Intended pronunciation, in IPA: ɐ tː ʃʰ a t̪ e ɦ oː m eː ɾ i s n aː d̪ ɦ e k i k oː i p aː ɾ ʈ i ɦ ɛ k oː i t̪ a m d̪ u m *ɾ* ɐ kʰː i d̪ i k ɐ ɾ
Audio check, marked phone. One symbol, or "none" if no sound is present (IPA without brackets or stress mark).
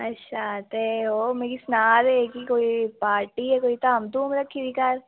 ɾ